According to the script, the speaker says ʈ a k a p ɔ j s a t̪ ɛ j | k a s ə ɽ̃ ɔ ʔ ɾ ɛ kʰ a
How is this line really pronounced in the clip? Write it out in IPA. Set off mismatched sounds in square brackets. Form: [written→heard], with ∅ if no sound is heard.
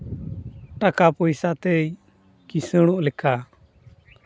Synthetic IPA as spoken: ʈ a k a p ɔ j s a t̪ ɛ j | k [a→i] s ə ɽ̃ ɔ ʔ [ɾ→l] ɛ kʰ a